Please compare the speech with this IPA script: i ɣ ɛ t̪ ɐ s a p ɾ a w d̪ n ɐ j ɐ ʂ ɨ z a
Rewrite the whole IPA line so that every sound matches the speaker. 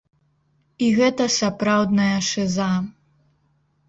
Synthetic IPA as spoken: i ɣ ɛ t̪ ɐ s a p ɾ a w d̪ n ɐ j ɐ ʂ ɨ z a